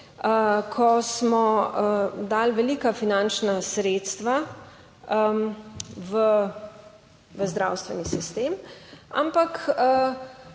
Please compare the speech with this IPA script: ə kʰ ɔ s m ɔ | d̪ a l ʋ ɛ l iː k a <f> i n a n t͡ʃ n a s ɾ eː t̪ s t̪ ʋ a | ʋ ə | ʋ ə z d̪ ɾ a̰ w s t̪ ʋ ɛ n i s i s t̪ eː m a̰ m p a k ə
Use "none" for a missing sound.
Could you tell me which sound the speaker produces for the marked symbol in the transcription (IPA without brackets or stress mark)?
f